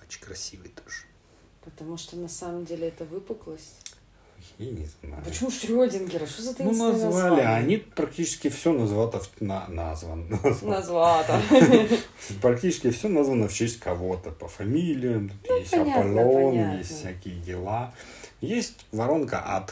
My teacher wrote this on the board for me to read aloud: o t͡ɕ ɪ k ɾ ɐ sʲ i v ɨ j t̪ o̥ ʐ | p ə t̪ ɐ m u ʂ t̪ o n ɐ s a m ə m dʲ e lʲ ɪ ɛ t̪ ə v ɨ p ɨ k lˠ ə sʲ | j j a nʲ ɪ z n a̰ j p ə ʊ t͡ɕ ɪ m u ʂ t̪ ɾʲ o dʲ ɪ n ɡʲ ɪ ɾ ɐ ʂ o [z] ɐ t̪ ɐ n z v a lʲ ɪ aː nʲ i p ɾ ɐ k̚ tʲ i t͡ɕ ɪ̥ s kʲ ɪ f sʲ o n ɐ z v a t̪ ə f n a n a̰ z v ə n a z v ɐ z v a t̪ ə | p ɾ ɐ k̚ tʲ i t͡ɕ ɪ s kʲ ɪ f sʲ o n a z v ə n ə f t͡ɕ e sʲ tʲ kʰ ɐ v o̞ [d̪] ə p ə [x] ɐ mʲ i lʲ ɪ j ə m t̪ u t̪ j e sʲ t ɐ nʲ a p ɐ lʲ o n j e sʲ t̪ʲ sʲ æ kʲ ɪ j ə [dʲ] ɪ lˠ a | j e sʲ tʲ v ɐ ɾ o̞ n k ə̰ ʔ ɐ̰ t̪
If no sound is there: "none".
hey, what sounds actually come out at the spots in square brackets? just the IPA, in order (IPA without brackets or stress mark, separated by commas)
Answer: z, t̪, f, dʲ